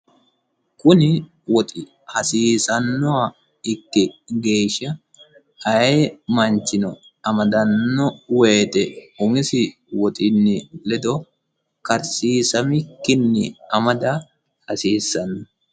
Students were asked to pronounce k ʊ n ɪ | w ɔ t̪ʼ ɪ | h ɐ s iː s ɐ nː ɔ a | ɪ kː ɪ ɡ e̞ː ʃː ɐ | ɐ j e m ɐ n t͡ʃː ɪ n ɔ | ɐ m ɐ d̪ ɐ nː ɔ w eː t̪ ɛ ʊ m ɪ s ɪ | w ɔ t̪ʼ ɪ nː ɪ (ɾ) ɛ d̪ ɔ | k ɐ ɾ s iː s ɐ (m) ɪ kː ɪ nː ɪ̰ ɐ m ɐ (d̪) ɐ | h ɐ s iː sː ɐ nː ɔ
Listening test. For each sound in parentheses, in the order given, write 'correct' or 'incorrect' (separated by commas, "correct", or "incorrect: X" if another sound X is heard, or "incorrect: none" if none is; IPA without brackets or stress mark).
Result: incorrect: l, correct, correct